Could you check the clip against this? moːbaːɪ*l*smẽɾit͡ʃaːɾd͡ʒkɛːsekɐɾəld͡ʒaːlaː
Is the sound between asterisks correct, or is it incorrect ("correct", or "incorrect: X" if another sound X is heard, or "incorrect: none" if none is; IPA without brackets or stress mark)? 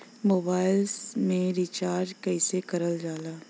correct